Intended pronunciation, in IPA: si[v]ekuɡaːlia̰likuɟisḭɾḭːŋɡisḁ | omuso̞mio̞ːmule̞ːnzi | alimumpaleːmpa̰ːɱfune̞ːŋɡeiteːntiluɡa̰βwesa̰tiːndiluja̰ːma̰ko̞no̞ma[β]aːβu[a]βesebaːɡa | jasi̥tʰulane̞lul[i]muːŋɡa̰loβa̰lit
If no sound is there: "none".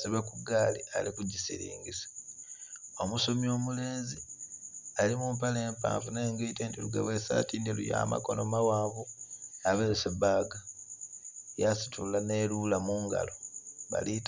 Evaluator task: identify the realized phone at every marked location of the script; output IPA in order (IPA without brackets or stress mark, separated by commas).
β, w, a, a